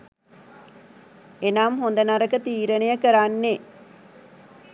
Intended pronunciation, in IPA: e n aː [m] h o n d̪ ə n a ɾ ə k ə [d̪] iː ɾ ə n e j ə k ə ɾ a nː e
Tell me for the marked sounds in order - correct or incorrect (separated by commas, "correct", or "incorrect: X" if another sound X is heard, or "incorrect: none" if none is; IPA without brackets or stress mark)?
correct, incorrect: t̪